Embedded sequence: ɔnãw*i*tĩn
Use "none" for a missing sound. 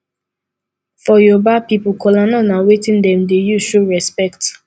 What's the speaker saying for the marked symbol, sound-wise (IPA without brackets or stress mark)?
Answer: e